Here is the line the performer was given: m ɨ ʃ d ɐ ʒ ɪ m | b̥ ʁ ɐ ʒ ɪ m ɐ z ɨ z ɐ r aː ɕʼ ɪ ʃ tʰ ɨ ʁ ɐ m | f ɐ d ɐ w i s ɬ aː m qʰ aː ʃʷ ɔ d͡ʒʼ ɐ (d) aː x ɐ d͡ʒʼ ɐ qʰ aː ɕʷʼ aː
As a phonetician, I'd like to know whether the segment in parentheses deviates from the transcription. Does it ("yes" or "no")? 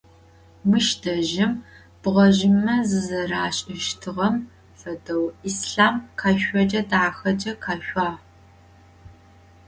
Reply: no